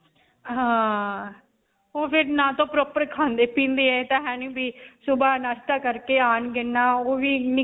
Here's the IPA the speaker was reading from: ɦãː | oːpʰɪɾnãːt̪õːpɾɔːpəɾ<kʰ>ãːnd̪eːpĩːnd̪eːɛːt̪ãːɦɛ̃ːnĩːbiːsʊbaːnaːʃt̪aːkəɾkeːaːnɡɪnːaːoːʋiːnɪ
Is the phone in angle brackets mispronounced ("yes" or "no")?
no